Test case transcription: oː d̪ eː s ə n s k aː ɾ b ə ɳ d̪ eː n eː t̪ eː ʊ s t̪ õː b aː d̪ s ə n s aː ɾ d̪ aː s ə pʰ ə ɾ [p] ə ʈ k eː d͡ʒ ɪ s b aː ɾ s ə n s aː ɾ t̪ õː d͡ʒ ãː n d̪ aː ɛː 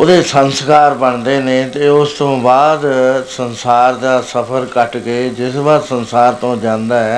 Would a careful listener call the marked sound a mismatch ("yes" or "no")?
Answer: yes